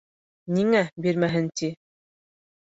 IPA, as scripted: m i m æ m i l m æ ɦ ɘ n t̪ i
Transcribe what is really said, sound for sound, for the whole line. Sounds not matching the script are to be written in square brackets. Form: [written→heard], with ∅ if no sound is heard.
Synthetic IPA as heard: [m→n] i [m→ŋ] æ [m→b] i [l→ɾ] m æ ɦ ɘ n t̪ i